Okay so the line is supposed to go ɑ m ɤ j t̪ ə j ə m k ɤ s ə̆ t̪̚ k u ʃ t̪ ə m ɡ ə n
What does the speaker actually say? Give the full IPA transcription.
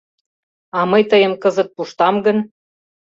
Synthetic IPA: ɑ m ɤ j t̪ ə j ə m k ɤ z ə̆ t̪̚ p u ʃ t̪ ɑ m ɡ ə n